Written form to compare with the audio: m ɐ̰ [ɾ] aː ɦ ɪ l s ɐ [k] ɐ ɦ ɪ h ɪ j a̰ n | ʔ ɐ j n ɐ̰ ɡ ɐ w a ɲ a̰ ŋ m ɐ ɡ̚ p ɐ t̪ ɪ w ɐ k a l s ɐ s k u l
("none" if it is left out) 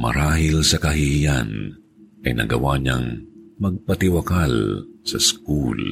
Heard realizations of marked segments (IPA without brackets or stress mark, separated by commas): ɾ, k